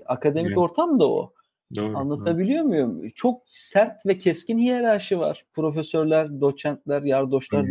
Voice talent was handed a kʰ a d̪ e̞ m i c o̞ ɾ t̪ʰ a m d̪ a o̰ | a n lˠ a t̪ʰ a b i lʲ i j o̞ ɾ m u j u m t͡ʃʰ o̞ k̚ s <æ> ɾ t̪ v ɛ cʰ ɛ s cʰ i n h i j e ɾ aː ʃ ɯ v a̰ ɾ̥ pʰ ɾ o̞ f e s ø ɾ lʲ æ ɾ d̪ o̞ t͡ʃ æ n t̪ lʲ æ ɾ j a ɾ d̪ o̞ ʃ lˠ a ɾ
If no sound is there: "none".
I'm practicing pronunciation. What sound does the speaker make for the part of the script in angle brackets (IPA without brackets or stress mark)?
æ